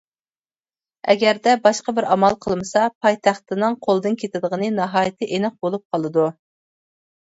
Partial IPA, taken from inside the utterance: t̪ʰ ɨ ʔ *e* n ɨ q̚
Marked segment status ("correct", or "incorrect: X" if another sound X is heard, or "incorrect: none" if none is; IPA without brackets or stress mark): correct